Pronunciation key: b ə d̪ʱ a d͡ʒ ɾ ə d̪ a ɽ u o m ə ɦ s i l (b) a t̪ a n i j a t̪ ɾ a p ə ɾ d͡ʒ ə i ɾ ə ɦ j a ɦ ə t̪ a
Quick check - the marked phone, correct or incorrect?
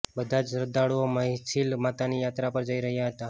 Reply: incorrect